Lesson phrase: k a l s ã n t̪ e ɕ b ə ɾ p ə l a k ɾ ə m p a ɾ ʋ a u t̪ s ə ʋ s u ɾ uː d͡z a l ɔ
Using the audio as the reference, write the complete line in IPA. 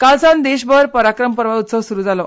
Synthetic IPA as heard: k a l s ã n d̪ e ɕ b ə ɾ p ə ɾ a k ɾ ə m p ə ɾ ʋ a u t̪ s ə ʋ s u ɾ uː d͡z a l ɔ